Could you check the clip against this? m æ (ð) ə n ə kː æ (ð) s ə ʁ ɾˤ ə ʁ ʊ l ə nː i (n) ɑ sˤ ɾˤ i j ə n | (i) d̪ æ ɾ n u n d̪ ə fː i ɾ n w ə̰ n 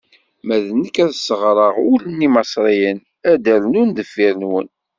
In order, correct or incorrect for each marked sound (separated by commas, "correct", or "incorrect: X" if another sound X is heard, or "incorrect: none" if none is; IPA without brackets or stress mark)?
correct, correct, incorrect: m, incorrect: æ